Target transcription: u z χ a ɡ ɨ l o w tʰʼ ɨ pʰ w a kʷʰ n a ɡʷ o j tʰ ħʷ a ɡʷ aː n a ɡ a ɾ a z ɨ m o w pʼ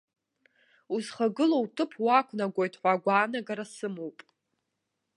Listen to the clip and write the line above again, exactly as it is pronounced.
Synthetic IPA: u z χ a ɡ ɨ l o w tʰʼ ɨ pʰ w a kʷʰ n a ɡʷ o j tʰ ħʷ a ɡʷ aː n a ɡ a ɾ a s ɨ m o w pʼ